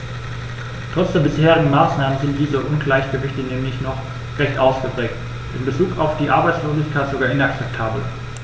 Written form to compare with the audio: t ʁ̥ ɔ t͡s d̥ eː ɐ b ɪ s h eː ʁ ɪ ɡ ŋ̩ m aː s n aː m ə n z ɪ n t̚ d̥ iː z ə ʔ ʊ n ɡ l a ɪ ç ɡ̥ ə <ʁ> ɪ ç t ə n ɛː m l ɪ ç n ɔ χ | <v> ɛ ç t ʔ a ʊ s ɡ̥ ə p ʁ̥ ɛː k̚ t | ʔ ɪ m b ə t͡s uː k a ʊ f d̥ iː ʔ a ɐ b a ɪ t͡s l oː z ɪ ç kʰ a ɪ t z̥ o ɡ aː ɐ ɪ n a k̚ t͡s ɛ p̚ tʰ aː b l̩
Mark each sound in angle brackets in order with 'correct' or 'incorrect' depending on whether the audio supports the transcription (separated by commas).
incorrect, incorrect